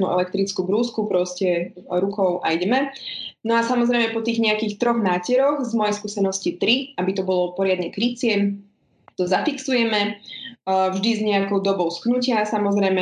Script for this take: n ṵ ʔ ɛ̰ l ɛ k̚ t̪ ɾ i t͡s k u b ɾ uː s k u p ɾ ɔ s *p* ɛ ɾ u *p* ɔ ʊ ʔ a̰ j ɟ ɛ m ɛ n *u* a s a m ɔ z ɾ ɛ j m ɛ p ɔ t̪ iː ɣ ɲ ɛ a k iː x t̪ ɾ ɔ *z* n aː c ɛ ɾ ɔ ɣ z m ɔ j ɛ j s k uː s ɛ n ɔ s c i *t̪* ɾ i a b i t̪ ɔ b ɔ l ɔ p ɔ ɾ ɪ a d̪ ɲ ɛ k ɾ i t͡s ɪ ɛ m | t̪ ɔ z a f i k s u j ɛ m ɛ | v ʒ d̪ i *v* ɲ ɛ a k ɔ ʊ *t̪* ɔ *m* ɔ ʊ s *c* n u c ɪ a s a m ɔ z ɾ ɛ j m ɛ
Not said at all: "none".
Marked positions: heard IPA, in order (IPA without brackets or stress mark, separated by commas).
c, k, ɔ, ɣ, t̪, z, d̪, b, k